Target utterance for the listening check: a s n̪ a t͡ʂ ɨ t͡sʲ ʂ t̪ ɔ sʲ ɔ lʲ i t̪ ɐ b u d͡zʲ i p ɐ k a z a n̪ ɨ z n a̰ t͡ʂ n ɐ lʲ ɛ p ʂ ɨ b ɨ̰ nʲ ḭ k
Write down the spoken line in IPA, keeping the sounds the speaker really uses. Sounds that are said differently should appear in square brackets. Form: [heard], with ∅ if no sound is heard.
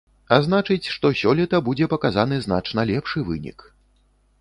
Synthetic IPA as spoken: a [z] n̪ a t͡ʂ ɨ t͡sʲ ʂ t̪ ɔ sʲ ɔ lʲ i t̪ ɐ b u d͡zʲ [ɛ] p ɐ k a z a n̪ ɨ z n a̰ t͡ʂ n ɐ lʲ ɛ p ʂ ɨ [v] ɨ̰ nʲ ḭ k